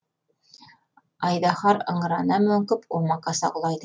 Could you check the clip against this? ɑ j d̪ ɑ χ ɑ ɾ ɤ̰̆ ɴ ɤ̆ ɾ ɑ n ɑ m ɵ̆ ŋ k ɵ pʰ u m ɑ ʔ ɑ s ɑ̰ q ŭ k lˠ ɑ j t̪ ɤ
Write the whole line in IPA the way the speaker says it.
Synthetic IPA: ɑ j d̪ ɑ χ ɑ ɾ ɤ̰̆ ɴ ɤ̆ ɾ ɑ n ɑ m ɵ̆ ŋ k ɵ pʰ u m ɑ q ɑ s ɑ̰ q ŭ lˠ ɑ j d̪ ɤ